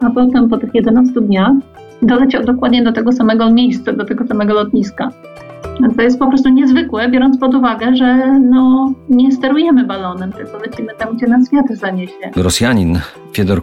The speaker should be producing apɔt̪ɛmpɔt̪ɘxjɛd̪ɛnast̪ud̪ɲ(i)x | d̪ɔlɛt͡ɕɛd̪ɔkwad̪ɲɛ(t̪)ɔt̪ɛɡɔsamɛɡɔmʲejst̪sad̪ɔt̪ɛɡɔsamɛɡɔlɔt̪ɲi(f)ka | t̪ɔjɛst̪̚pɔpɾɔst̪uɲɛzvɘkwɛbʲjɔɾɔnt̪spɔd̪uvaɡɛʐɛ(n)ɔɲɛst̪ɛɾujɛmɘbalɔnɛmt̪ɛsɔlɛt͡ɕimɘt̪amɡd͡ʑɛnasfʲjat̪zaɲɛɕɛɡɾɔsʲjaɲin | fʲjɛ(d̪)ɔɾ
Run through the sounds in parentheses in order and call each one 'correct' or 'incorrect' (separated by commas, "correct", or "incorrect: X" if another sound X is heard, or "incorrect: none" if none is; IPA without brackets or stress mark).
incorrect: a, incorrect: d̪, incorrect: s, correct, correct